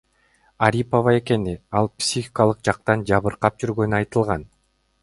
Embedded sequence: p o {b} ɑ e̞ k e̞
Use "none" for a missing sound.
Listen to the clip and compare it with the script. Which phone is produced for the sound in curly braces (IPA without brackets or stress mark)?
v